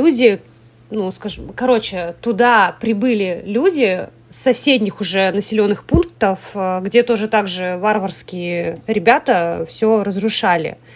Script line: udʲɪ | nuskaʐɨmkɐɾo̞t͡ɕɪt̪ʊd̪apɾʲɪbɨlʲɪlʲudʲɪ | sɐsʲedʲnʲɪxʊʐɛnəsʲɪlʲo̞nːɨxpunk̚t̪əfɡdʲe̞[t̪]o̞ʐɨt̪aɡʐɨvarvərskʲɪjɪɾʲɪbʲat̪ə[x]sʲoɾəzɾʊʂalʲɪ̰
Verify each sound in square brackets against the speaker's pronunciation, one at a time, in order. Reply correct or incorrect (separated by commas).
correct, incorrect